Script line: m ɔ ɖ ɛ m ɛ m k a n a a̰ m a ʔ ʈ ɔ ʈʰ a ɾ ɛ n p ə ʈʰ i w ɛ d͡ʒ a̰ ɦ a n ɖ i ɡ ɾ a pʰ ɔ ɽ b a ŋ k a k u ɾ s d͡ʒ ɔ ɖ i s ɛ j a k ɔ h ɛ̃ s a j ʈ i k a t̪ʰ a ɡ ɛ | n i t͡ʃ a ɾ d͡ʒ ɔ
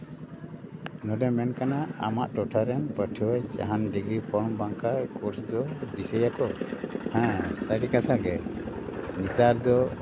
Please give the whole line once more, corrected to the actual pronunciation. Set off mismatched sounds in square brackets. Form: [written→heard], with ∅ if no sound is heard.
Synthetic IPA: [m→n] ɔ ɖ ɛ m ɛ [m→n] k a n a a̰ m a ʔ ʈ ɔ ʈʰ a ɾ ɛ n p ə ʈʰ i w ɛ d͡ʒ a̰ ɦ a n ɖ i ɡ ɾ [a→i] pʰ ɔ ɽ b a ŋ k a k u ɾ s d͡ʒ ɔ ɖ i s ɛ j a k ɔ h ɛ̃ s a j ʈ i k a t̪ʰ a ɡ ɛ | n i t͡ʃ a ɾ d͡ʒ ɔ